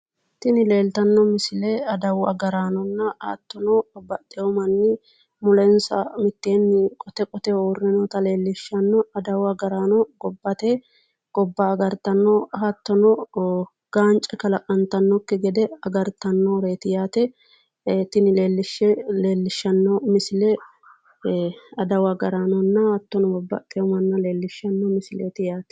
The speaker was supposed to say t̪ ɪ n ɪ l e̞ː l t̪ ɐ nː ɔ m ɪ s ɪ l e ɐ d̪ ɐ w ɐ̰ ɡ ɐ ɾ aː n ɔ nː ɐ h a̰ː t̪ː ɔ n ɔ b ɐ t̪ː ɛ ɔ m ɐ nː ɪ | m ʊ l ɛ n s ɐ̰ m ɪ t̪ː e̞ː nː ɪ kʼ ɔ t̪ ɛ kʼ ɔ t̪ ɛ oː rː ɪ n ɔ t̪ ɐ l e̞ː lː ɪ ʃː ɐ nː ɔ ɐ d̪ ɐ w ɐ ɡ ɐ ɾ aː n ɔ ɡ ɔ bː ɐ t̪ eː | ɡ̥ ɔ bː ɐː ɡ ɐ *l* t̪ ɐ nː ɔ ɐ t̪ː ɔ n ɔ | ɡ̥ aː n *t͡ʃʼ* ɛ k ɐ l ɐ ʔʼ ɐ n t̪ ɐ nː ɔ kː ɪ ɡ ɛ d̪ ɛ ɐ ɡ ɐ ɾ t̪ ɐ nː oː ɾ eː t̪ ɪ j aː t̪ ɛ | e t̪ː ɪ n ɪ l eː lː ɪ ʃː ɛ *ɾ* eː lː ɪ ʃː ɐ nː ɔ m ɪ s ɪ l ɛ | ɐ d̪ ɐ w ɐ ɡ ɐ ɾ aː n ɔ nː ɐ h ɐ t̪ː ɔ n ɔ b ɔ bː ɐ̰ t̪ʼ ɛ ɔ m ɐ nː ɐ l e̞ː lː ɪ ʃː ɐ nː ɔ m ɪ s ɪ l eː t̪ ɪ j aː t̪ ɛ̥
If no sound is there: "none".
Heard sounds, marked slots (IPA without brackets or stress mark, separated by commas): ɾ, t͡ʃʼ, l